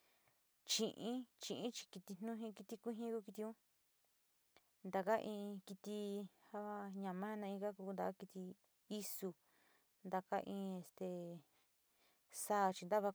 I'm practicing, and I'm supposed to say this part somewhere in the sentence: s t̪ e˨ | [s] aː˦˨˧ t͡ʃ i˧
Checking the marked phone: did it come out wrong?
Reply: no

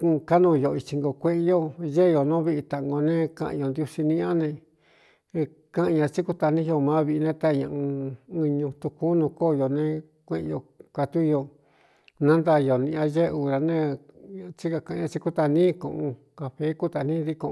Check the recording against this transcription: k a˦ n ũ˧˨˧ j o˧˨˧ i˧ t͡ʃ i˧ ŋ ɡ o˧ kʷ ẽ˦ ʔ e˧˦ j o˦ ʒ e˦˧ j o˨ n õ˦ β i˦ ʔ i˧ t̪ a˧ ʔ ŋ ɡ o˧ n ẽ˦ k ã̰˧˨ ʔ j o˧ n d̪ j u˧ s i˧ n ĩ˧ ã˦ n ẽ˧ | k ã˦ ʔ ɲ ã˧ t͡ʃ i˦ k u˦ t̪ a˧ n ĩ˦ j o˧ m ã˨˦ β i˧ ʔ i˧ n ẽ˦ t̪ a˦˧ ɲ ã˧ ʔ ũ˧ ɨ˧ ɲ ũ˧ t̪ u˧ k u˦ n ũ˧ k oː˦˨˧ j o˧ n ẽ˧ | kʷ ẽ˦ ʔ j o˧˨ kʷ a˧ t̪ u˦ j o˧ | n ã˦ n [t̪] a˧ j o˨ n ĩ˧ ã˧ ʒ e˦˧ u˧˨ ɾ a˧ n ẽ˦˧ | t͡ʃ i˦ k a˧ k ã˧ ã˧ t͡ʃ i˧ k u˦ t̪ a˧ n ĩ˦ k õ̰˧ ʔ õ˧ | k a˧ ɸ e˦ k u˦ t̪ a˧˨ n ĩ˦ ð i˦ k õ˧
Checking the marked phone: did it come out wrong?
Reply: yes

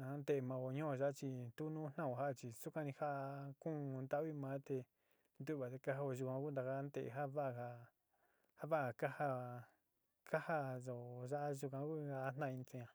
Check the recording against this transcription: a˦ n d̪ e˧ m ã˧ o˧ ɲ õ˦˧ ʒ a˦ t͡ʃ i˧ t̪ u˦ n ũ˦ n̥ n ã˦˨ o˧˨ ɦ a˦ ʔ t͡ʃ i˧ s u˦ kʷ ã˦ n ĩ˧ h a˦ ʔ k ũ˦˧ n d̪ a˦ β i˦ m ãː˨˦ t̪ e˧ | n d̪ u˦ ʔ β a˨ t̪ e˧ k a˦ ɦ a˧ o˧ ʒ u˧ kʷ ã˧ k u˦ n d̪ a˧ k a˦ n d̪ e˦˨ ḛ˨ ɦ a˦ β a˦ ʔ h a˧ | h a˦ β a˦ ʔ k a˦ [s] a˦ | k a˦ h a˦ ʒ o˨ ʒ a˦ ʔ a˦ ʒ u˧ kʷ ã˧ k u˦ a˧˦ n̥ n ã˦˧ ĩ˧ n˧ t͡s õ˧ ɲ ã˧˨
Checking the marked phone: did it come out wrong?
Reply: yes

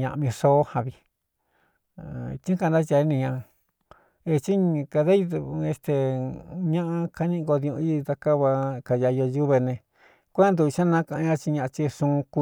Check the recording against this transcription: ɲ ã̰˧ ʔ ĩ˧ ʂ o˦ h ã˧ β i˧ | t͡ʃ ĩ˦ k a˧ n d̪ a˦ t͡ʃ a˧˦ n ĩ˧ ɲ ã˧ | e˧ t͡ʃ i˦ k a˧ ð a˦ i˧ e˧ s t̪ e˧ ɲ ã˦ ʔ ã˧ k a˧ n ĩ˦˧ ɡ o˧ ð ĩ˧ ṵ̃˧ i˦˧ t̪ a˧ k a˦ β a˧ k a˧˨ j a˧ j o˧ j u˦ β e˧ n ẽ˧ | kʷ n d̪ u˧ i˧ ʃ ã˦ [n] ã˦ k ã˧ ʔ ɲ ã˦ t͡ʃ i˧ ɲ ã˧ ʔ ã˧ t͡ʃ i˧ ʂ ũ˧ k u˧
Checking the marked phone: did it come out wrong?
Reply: no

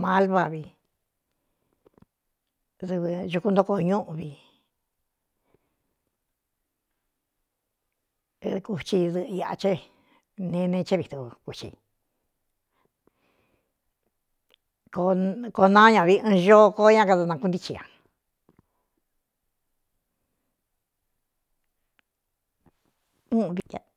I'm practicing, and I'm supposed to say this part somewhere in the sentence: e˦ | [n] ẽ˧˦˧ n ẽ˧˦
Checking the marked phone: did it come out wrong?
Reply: no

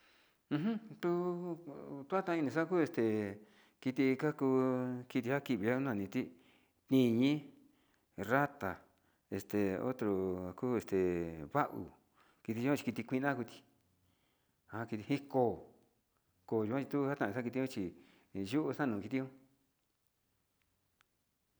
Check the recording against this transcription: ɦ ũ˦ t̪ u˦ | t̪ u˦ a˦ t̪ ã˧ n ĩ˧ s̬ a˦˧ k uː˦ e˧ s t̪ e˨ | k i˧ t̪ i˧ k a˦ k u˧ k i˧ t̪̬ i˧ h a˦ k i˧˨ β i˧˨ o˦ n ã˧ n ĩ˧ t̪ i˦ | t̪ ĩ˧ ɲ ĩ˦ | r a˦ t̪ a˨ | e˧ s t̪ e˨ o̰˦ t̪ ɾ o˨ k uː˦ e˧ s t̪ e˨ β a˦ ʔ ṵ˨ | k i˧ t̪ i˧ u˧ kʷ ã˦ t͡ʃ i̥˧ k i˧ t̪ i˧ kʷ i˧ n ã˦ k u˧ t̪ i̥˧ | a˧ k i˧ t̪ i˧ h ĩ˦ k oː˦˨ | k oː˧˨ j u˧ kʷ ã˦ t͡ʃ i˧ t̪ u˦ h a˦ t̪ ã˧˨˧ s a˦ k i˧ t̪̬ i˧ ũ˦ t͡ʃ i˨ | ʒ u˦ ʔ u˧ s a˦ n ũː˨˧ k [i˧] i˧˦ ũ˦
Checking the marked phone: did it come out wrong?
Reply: no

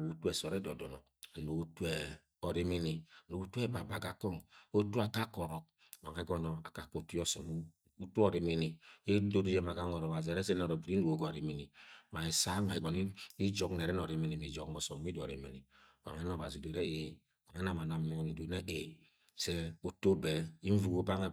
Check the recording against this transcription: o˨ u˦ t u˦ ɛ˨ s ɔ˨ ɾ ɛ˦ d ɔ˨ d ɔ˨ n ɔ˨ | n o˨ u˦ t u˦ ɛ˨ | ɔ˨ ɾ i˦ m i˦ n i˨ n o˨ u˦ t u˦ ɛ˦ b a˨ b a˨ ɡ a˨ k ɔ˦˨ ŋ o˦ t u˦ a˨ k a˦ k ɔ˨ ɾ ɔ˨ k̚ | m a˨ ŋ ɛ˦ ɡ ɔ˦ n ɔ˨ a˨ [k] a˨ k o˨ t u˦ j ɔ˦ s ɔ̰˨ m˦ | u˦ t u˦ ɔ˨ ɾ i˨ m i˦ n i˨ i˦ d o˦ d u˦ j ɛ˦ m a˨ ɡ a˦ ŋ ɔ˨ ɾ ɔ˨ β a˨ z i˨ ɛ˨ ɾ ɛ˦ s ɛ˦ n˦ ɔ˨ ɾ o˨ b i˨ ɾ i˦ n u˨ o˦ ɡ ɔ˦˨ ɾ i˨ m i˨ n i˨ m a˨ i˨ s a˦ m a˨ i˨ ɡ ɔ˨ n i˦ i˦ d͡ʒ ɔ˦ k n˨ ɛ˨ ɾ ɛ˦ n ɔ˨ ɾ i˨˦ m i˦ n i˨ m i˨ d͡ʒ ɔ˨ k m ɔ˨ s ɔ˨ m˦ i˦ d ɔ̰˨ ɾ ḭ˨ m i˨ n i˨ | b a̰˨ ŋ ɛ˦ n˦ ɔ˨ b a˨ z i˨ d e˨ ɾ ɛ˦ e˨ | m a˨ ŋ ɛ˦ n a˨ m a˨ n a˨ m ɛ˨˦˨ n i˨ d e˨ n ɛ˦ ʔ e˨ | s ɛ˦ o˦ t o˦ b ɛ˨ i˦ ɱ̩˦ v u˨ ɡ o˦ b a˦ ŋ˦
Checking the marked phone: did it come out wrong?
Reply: no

